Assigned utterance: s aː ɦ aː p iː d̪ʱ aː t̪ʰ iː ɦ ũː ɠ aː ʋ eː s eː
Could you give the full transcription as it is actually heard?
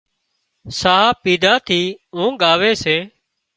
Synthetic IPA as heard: s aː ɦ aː p iː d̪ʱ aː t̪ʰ iː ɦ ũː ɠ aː ʋ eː s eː